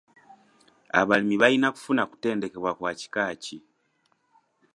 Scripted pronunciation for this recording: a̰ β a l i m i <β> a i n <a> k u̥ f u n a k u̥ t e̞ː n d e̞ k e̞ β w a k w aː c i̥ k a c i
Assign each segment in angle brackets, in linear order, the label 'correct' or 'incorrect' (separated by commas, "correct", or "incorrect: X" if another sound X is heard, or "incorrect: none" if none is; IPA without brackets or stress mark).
correct, correct